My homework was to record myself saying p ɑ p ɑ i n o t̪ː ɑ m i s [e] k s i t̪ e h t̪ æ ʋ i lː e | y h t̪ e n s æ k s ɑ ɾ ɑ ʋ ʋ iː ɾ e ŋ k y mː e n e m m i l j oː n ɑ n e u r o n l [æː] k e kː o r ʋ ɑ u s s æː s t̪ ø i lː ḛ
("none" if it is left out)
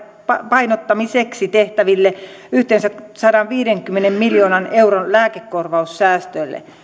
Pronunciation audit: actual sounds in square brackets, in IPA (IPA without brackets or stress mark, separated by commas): e, æː